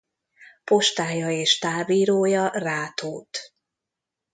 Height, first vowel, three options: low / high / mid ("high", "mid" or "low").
mid